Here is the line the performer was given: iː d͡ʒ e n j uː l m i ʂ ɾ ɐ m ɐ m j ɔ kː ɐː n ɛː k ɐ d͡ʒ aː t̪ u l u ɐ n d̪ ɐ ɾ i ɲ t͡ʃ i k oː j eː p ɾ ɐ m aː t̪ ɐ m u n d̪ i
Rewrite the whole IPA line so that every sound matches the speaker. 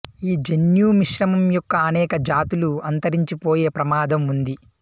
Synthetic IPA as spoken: iː d͡ʒ e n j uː m i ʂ ɾ ɐ m ɐ m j ɔ kː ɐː n ɛː k ɐ d͡ʒ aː t̪ u l u ɐ n t̪ ɐ ɾ i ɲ t͡ʃ i p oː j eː p ɾ ɐ m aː d̪ ɐ m u n d̪ i